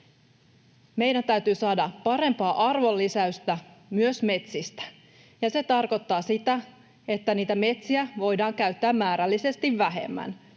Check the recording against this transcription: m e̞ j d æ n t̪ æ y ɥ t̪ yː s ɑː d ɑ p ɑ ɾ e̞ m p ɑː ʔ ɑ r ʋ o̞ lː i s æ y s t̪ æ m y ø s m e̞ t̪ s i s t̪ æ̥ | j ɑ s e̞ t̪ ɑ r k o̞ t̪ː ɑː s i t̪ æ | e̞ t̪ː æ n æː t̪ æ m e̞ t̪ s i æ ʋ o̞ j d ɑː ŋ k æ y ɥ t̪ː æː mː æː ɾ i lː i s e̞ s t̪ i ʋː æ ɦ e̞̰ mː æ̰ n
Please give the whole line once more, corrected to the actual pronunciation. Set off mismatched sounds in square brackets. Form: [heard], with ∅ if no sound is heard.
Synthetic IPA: m e̞ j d æ n t̪ æ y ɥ t̪ yː s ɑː d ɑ p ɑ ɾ e̞ m p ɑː ʔ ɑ r ʋ o̞ lː i s æ y s t̪ æ m y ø s m e̞ t̪ s i s t̪ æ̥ | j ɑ s e̞ t̪ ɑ r k o̞ t̪ː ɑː s i t̪ æ | e̞ t̪ː æ n [iː] t̪ æ m e̞ t̪ s i æ ʋ o̞ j d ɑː ŋ k æ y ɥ t̪ː æː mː æː ɾ [æ] lː i s e̞ s t̪ i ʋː æ ɦ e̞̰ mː æ̰ n